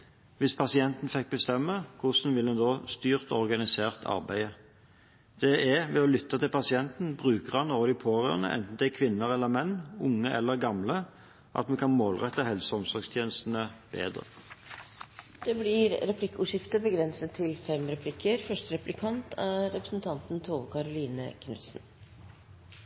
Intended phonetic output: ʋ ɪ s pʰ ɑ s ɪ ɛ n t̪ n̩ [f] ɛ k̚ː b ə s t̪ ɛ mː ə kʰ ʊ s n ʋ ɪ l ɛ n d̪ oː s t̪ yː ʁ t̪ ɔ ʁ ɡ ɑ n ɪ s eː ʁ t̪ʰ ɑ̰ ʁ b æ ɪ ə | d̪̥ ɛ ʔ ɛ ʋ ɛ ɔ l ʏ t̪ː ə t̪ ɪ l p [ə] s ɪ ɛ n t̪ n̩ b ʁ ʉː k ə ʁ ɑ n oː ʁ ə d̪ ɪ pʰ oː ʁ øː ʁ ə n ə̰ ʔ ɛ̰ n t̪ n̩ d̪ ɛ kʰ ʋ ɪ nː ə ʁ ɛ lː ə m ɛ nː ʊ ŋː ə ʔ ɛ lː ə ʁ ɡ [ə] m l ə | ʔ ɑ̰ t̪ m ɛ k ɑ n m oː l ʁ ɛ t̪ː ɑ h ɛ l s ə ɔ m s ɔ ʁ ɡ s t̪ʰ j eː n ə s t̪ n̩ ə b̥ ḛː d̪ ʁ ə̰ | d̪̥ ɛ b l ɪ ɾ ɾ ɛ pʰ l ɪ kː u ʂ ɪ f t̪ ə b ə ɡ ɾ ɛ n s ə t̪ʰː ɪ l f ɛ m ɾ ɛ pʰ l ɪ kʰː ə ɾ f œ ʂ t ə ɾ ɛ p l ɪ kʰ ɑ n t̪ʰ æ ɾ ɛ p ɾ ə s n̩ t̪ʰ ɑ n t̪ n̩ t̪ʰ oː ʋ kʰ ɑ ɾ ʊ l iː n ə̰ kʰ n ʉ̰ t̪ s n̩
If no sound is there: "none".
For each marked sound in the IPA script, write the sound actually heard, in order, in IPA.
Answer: f, ɑ, ɑ

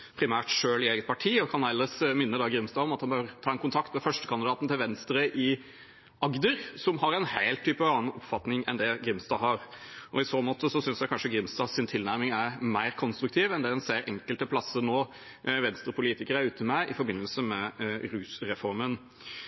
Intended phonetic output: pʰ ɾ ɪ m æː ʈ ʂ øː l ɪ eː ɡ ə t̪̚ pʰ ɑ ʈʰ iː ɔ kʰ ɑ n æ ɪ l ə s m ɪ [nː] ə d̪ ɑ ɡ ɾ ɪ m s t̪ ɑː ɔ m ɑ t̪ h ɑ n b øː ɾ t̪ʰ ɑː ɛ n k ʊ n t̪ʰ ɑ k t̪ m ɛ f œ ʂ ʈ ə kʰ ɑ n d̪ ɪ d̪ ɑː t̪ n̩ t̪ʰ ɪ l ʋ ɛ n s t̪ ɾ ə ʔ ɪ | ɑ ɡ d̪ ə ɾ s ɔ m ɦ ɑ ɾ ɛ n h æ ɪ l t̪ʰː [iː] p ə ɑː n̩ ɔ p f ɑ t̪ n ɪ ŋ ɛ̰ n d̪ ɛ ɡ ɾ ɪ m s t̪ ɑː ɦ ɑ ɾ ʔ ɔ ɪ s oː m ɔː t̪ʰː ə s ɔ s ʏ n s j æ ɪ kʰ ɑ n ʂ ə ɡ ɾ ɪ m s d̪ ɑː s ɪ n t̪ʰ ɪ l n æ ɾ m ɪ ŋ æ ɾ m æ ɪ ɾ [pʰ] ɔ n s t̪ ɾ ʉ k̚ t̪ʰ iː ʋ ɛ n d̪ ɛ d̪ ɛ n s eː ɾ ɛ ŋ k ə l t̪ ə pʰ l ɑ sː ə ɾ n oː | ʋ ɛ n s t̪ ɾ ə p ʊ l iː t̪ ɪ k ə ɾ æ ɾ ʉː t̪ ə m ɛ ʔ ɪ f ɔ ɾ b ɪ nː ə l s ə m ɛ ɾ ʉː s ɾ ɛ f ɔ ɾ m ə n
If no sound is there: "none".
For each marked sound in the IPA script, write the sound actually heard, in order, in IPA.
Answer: nː, yː, kʰ

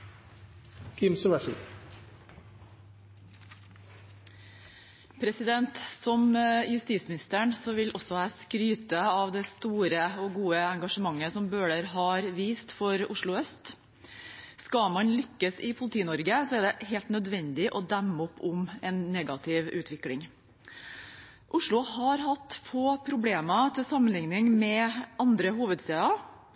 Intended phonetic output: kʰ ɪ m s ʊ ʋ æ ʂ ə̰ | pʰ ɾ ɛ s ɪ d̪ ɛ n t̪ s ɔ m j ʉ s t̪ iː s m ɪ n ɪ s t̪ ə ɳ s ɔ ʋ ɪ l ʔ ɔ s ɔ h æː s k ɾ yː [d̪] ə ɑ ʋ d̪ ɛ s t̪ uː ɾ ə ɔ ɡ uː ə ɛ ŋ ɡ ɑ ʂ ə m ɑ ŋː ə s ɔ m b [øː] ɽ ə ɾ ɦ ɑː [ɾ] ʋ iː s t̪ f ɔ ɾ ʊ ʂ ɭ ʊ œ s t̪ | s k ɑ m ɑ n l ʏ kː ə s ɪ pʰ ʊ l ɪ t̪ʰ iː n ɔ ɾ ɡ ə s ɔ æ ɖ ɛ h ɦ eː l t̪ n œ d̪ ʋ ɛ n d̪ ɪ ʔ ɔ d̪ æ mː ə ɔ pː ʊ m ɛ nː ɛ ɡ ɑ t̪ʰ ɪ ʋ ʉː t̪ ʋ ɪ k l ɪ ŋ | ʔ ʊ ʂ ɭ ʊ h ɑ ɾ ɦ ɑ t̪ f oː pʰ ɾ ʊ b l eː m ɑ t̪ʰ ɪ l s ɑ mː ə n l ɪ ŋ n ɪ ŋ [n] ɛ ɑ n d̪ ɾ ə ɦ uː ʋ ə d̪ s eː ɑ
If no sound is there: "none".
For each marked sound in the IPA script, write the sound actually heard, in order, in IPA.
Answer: t̪, øː, ɾ, m

